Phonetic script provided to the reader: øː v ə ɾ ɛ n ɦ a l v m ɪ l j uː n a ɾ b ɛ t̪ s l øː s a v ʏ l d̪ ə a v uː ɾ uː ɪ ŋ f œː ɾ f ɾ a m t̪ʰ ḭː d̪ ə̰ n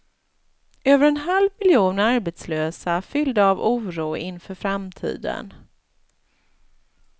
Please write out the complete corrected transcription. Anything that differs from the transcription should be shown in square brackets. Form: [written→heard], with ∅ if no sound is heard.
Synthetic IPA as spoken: øː v ə ɾ ɛ n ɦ a l v m ɪ l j uː n a ɾ b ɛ t̪ s l øː s a [v→f] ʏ l d̪ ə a v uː ɾ uː ɪ [ŋ→n] f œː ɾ f ɾ a m t̪ʰ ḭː d̪ ə̰ n

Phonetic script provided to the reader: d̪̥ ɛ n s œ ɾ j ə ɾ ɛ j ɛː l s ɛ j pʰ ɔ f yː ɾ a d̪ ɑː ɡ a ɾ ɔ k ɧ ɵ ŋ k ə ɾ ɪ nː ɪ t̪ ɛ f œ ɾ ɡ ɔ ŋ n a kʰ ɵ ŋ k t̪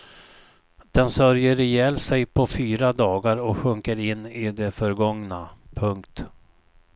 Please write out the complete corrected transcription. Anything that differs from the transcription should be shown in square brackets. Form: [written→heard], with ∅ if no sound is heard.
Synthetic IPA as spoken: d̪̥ ɛ n s œ ɾ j ə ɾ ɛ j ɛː l s ɛ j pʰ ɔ f yː ɾ a d̪ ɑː ɡ a ɾ ɔ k ɧ ɵ ŋ k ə ɾ ɪ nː ɪ [t̪→d̪] ɛ f œ ɾ ɡ ɔ ŋ n a [kʰ→pʰ] ɵ ŋ k t̪

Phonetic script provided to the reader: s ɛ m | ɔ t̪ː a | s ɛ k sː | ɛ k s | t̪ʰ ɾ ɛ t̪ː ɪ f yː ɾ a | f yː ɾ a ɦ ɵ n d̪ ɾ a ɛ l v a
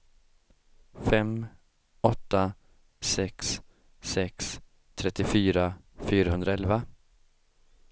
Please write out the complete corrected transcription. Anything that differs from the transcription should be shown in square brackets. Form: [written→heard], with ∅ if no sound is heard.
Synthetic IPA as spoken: [s→f] ɛ m | ɔ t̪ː a | s ɛ k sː | ɛ k s | t̪ʰ ɾ ɛ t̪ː ɪ f yː ɾ a | f yː ɾ a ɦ ɵ n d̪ ɾ a ɛ l v a

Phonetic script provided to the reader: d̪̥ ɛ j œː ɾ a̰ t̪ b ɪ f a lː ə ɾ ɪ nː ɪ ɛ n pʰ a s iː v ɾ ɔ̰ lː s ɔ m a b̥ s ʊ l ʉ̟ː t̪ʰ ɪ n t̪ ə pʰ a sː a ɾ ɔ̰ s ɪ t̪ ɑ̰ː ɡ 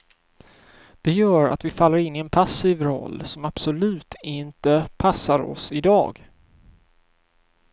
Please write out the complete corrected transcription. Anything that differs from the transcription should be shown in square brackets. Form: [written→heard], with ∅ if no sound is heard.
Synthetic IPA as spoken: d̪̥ ɛ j œː ɾ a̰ t̪ [b→v] ɪ f a lː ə ɾ ɪ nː ɪ ɛ n pʰ a s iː v ɾ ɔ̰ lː s ɔ m a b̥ s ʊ l ʉ̟ː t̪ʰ ɪ n t̪ ə pʰ a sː a ɾ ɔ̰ s ɪ [t̪→d̪] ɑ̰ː ɡ

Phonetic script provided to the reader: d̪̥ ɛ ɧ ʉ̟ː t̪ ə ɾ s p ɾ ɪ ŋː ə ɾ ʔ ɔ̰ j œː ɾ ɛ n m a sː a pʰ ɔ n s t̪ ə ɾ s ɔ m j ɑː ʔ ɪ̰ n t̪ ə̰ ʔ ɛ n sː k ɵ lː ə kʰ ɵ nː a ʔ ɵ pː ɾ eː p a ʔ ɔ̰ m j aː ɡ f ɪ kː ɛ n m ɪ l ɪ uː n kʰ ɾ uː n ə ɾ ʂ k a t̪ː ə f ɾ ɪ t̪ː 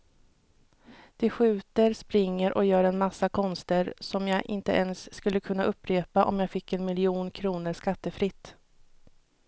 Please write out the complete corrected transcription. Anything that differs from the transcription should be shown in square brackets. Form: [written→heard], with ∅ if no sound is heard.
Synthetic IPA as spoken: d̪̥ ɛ ɧ ʉ̟ː t̪ ə ɾ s p ɾ ɪ ŋː ə ɾ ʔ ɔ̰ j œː ɾ ɛ n m a sː a [pʰ→kʰ] ɔ n s t̪ ə ɾ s ɔ m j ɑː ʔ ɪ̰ n t̪ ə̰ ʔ ɛ n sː k ɵ lː ə kʰ ɵ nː a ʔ ɵ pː ɾ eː p a ʔ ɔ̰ m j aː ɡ f ɪ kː ɛ n m ɪ l ɪ uː n kʰ ɾ uː n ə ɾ ʂ k a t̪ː ə f ɾ ɪ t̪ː

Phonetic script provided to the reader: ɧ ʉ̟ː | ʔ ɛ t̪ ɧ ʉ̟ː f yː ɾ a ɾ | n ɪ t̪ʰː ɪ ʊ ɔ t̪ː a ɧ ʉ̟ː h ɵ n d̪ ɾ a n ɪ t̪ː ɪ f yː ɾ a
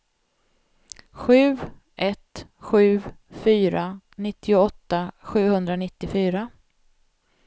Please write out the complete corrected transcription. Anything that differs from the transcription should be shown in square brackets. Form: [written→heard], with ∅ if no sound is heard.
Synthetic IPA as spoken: ɧ ʉ̟ː | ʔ ɛ t̪ ɧ ʉ̟ː f yː ɾ a [ɾ→∅] | n ɪ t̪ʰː ɪ ʊ ɔ t̪ː a ɧ ʉ̟ː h ɵ n d̪ ɾ a n ɪ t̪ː ɪ f yː ɾ a

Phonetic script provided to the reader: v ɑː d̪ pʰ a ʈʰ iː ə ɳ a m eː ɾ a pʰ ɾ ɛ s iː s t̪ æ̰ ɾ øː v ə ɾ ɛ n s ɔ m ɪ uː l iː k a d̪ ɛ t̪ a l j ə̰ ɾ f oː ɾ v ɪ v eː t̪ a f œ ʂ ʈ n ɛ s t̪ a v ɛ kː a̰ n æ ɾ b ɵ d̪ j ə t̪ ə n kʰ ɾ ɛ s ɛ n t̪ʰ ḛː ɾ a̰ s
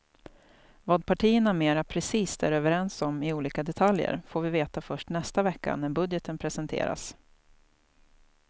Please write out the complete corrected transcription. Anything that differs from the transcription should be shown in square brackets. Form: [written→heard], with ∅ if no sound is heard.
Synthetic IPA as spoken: v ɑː d̪ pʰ a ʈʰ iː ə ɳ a m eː ɾ a pʰ ɾ ɛ s iː s t̪ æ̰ ɾ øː v ə ɾ ɛ n s ɔ m ɪ uː l iː k a d̪ ɛ [t̪→t̪ʰ] a l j ə̰ ɾ f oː ɾ v ɪ v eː t̪ a f œ ʂ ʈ n ɛ s t̪ a v ɛ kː a̰ n æ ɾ b ɵ d̪ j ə t̪ ə n [kʰ→pʰ] ɾ ɛ s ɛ n t̪ʰ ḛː ɾ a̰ s

